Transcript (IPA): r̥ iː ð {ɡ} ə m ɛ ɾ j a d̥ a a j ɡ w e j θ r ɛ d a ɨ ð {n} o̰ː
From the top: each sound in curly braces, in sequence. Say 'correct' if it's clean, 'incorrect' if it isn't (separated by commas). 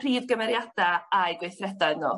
correct, correct